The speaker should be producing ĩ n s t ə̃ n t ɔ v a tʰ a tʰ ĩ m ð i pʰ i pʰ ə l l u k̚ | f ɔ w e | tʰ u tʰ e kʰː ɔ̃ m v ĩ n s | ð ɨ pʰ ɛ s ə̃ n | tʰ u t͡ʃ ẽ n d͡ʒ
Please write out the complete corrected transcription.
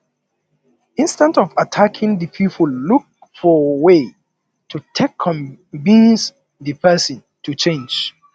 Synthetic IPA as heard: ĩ n s t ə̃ n t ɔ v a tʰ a kʰ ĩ ŋ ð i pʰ i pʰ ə l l u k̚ | f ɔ w e | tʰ u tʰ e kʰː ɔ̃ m v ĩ n s | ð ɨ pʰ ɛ s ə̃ n | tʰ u t͡ʃ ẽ n d͡ʒ